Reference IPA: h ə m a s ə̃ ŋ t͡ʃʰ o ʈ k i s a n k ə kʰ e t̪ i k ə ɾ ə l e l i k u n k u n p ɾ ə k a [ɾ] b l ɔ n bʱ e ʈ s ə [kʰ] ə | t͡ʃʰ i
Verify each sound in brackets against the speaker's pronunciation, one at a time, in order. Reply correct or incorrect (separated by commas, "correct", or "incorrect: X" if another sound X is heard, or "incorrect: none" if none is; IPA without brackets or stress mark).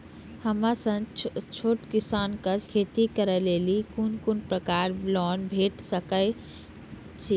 correct, incorrect: k